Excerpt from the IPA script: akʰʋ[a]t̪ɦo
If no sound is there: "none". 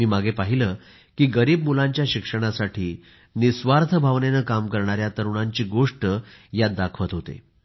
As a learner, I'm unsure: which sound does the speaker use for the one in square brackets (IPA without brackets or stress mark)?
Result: ə